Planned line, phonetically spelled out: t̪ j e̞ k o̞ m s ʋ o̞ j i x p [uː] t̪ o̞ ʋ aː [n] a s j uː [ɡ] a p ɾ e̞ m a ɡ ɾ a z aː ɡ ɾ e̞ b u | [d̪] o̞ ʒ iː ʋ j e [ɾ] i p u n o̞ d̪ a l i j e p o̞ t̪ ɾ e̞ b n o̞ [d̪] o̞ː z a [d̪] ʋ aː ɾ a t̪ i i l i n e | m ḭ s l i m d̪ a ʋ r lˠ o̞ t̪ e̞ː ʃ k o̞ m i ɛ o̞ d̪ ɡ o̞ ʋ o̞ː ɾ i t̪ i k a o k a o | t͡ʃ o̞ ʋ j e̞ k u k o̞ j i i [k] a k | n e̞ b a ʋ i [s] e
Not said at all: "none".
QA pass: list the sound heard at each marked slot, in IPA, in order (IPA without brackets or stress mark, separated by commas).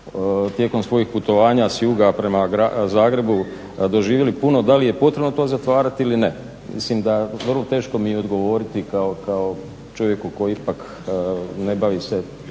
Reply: u, ɲ, ɡ, d̪, l, t̪, t̪, p, s